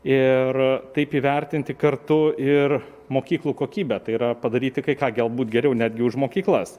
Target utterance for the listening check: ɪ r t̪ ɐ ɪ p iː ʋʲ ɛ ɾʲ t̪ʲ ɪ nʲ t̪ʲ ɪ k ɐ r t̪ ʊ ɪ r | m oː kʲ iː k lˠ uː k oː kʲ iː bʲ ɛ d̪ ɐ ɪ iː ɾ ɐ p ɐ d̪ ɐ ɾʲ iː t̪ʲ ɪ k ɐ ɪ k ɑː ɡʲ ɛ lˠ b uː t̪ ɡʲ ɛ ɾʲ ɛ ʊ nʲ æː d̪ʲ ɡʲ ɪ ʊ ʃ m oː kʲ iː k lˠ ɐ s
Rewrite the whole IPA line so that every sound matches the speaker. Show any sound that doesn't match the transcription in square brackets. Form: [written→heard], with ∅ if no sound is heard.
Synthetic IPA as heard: ɪ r t̪ ɐ ɪ p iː ʋʲ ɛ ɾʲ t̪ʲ ɪ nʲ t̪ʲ ɪ k ɐ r t̪ ʊ ɪ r | m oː kʲ iː k lˠ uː k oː kʲ iː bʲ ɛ [d̪→t̪] ɐ ɪ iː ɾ ɐ p ɐ d̪ ɐ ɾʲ iː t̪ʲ ɪ k ɐ ɪ k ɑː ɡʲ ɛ lˠ b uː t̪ ɡʲ ɛ ɾʲ ɛ ʊ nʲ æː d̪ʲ ɡʲ ɪ ʊ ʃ m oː kʲ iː k lˠ ɐ s